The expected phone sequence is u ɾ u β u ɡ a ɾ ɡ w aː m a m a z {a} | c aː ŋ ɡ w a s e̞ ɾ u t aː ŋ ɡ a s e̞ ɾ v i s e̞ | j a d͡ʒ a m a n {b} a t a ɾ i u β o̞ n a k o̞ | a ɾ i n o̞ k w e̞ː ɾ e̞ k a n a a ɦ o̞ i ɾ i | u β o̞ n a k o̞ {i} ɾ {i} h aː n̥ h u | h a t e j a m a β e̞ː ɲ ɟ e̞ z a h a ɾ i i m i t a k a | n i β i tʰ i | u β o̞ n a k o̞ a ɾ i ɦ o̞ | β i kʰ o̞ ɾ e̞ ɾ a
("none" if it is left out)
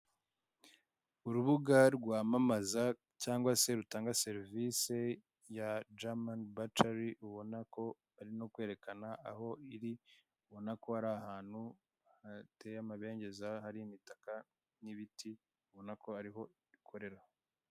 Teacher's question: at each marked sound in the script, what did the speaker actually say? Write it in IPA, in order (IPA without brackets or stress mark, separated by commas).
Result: a, b, a, a